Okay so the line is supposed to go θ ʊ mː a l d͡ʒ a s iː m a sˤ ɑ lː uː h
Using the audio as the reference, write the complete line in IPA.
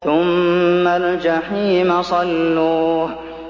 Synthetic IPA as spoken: θ ʊ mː a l d͡ʒ a ħ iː m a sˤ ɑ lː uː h

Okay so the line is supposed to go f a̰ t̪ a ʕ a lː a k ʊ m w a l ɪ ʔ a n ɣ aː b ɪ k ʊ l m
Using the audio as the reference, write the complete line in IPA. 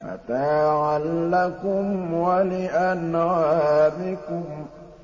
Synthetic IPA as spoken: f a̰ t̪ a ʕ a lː a k ʊ m w a l ɪ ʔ a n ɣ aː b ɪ k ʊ m

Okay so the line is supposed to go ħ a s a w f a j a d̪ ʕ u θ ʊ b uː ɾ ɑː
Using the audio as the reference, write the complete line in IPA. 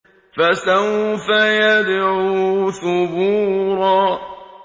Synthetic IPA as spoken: f a s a w f a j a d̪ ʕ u θ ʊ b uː ɾ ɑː

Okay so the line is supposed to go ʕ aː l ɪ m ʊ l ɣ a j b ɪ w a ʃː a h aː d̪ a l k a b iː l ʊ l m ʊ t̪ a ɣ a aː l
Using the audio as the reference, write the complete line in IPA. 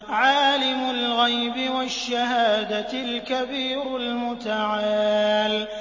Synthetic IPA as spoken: ʕ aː l ɪ m ʊ l ɣ a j b ɪ w a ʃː a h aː d̪ a l k a b iː ɾ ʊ l m ʊ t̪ a ʕ a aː l

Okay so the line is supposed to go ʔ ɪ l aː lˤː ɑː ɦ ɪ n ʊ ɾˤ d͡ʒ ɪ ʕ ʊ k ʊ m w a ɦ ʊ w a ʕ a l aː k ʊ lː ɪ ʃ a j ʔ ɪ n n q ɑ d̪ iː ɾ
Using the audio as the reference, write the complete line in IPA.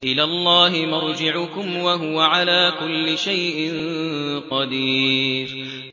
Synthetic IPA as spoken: ʔ ɪ l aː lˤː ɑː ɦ ɪ m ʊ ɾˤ d͡ʒ ɪ ʕ ʊ k ʊ m w a ɦ ʊ w a ʕ a l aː k ʊ lː ɪ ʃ a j ʔ ɪ n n q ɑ d̪ iː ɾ

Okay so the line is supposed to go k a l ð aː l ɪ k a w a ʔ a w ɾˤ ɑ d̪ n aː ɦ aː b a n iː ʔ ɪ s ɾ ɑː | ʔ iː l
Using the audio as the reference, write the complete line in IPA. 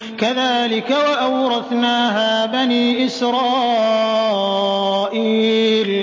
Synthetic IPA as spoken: k a ð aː l ɪ k a w a ʔ a w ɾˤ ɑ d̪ n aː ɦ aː b a n iː ʔ ɪ s ɾ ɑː | ʔ iː l

